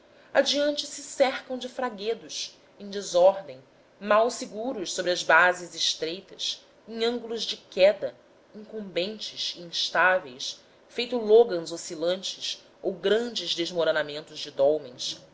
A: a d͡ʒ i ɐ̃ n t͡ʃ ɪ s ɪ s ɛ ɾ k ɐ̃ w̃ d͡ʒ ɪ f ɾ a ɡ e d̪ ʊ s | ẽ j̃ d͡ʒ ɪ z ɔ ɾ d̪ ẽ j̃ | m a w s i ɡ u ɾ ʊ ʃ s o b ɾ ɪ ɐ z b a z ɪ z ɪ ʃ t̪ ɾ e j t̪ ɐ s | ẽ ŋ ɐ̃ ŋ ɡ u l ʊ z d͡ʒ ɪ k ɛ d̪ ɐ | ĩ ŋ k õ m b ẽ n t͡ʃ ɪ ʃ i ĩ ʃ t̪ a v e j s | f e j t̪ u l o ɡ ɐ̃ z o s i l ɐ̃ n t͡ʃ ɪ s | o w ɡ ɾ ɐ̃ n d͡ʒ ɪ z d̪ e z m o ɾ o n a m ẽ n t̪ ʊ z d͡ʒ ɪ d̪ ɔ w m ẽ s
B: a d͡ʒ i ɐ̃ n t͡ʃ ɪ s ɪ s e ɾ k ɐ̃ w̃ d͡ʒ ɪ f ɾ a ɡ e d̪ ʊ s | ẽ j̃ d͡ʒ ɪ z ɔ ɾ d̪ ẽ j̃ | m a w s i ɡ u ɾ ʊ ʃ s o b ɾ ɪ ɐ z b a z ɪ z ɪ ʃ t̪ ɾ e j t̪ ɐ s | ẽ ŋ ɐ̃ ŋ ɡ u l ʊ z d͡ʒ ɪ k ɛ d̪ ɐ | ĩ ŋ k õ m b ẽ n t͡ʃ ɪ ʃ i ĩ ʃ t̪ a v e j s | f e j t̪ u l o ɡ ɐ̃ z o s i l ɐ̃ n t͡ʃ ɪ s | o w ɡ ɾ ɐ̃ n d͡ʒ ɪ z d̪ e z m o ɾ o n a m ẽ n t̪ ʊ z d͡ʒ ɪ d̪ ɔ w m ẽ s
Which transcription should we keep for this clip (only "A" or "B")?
A